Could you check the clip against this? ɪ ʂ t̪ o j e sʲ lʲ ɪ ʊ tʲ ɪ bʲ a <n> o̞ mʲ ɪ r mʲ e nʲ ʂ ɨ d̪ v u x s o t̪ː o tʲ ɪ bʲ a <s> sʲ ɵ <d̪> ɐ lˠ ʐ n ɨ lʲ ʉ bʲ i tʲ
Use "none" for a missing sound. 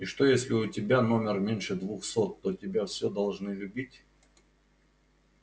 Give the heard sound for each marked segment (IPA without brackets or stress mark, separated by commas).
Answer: n, f, d̪